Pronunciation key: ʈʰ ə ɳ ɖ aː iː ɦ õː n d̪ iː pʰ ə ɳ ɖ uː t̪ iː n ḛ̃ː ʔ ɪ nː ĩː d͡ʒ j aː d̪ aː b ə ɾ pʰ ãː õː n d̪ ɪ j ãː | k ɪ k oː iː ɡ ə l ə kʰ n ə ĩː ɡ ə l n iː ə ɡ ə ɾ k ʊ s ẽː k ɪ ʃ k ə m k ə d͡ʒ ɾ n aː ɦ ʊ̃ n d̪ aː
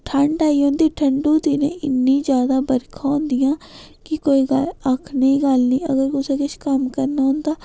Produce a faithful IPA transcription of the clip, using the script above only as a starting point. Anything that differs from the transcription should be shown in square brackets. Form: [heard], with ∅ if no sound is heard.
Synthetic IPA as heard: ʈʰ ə ɳ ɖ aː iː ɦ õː n d̪ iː [ʈʰ] ə ɳ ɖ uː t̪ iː n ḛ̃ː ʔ ɪ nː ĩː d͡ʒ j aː d̪ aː b ə ɾ [kʰ] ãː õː n d̪ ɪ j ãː | k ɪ k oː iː ɡ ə l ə kʰ n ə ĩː ɡ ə l n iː ə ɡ ə ɾ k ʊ s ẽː k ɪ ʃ k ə m k ə [∅] ɾ n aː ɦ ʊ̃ n d̪ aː